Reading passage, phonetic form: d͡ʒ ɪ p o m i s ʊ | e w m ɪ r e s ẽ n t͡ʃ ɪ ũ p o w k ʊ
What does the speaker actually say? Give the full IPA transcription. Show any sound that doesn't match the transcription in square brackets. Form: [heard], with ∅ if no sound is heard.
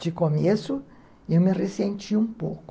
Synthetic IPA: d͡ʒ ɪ [k] o m [e] s ʊ | e w m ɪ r e s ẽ n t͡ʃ [i] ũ p o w k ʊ